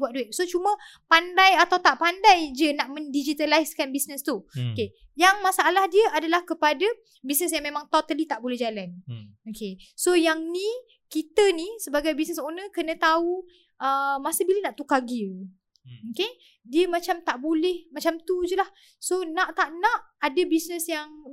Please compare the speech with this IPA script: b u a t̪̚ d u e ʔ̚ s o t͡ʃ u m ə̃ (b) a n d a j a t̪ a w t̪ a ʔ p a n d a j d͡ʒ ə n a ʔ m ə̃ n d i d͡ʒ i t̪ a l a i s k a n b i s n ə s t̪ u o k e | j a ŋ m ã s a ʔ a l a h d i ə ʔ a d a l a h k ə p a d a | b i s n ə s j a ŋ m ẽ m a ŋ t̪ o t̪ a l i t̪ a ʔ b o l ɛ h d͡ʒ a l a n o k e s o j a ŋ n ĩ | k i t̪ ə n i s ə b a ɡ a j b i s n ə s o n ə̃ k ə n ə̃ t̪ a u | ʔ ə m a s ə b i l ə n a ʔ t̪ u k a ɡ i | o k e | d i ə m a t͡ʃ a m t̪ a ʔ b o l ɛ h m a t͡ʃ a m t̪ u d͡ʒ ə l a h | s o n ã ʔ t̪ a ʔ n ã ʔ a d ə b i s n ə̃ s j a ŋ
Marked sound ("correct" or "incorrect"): incorrect